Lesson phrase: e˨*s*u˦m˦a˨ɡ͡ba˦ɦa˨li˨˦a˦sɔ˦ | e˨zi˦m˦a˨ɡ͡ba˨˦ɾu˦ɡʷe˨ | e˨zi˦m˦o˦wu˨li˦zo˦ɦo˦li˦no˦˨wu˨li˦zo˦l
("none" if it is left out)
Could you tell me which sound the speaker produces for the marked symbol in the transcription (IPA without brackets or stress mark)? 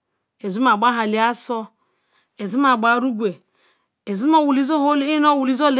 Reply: z